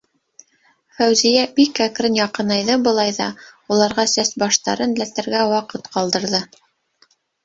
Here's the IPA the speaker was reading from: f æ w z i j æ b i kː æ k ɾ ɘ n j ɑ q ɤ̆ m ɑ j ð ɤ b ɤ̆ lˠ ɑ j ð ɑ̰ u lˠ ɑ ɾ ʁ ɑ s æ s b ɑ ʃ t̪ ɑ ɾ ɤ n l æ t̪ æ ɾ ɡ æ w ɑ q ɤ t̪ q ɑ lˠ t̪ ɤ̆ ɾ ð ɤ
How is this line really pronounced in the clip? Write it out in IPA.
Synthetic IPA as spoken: f æ w z i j æ b i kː æ k ɾ ɘ n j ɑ q ɤ̆ n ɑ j ð ɤ b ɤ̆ lˠ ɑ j ð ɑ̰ u lˠ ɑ ɾ ʁ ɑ s æ s b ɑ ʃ t̪ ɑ ɾ ɤ n l æ t̪ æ ɾ ɡ æ w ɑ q ɤ t̪ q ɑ lˠ d̪ ɤ̆ ɾ ð ɤ